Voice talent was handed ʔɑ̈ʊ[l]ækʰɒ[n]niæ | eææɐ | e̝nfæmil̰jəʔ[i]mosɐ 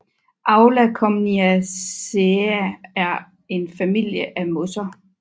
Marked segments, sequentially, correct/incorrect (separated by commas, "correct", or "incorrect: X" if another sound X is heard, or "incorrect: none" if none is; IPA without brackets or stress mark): correct, incorrect: m, incorrect: æ